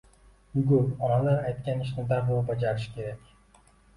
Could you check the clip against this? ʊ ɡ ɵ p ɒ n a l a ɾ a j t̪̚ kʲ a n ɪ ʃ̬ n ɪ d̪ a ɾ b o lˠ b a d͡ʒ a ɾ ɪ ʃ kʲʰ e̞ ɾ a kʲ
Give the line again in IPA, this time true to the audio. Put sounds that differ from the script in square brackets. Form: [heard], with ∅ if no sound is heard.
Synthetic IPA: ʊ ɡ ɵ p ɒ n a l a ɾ a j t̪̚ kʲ a n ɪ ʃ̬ n ɪ d̪ a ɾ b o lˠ b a d͡ʒ a ɾ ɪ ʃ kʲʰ e̞ ɾ a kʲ